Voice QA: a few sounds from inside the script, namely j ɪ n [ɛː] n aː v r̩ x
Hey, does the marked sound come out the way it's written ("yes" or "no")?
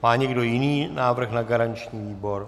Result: no